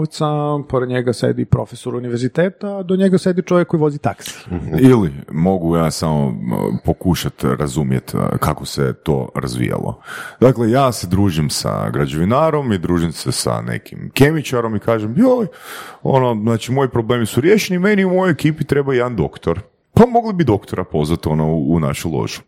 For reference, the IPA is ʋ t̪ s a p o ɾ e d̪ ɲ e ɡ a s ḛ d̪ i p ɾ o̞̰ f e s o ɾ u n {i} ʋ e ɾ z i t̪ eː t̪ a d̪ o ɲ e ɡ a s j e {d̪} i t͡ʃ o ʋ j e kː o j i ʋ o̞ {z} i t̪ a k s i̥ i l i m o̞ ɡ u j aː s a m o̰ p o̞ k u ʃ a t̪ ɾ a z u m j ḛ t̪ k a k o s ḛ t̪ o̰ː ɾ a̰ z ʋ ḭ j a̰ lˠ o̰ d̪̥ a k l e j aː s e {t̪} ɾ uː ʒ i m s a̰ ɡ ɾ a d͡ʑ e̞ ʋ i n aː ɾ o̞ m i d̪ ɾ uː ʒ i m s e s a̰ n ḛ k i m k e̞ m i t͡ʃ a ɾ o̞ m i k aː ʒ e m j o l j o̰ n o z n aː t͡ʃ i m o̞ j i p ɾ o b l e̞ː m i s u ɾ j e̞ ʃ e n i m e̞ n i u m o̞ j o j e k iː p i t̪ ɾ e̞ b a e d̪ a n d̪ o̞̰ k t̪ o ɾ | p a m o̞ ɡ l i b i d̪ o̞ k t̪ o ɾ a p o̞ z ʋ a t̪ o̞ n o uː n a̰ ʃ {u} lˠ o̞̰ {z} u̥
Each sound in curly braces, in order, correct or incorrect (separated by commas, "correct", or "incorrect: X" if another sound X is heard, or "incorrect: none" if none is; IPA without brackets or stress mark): correct, correct, correct, incorrect: d̪, correct, incorrect: ʒ